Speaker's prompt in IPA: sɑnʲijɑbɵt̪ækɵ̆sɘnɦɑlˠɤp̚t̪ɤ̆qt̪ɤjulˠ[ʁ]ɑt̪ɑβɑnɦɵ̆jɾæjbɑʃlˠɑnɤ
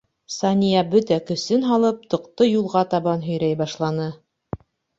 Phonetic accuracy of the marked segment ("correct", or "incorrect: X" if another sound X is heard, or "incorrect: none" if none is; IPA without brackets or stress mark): correct